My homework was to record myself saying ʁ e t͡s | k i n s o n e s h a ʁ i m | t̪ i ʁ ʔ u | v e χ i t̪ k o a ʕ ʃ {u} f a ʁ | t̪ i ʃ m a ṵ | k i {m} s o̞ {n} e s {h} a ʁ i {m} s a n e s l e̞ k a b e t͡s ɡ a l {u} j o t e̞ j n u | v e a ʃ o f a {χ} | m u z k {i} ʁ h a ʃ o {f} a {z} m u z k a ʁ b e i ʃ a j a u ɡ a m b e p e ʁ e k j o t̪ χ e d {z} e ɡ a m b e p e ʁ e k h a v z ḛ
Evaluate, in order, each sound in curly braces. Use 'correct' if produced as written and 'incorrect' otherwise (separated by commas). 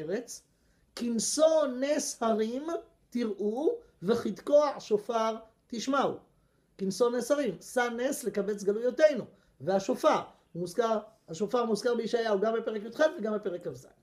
incorrect, incorrect, correct, correct, correct, correct, incorrect, incorrect, correct, incorrect, incorrect